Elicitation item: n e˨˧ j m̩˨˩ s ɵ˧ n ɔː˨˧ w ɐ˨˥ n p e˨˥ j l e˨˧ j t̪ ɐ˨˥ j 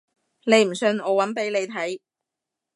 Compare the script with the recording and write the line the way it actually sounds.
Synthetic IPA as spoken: n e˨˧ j m̩˨˩ s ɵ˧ n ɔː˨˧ w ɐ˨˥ n p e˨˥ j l e˨˧ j t̪ʰ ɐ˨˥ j